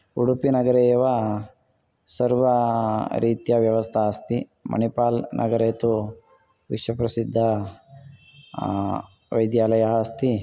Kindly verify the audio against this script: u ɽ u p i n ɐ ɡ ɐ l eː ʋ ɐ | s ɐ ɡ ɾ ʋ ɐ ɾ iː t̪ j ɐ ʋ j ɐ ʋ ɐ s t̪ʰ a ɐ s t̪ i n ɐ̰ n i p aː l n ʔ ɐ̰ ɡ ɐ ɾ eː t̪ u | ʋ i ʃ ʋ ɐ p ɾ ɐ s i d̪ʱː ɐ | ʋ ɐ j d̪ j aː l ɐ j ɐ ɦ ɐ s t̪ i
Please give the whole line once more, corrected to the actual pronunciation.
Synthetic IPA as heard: u ɽ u p i n ɐ ɡ ɐ ɾ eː ʋ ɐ | s ɐ ɾ ʋ ɐ ɾ iː t̪ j ɐ ʋ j ɐ ʋ ɐ s t̪ʰ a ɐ s t̪ i m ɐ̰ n i p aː l n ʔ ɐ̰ ɡ ɐ ɾ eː t̪ u | ʋ i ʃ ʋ ɐ p ɾ ɐ s i d̪ʱː ɐ | ʋ ɐ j d̪ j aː l ɐ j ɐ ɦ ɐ s t̪ i